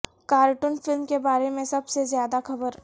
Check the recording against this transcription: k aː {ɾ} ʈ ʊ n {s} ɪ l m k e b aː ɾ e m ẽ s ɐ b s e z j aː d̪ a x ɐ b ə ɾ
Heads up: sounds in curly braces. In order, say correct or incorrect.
correct, incorrect: f

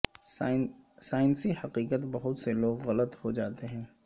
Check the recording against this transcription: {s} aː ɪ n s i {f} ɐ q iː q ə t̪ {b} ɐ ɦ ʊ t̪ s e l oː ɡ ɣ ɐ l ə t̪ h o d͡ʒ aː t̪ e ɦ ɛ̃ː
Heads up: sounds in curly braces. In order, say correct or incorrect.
correct, incorrect: h, correct

